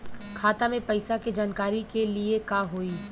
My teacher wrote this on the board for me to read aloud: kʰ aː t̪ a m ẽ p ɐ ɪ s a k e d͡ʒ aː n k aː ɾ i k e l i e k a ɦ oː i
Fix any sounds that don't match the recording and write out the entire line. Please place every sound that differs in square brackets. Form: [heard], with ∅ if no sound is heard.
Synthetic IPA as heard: kʰ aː t̪ a m ẽ p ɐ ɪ s a k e d͡ʒ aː n k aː ɾ i k e l i e k a ɦ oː i